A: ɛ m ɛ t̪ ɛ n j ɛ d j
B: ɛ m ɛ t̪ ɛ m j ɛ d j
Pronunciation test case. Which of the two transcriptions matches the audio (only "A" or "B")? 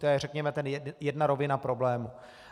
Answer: A